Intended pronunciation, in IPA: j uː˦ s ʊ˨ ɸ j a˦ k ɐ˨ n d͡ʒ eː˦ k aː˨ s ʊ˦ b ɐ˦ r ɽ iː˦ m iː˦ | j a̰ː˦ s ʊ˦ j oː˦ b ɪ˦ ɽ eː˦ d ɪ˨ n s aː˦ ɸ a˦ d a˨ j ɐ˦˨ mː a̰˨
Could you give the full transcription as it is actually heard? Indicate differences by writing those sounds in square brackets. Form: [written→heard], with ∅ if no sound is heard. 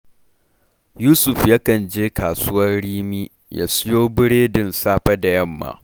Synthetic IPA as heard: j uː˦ s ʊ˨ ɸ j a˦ k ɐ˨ n d͡ʒ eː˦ k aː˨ s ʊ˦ [b→w] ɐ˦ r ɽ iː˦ m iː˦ | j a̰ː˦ s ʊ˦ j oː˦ b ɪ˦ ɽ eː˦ d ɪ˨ n s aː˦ ɸ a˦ d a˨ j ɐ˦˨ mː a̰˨